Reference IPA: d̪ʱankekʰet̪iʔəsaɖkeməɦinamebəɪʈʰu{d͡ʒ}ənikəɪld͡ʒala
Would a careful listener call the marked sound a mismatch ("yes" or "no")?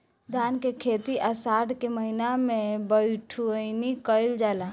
yes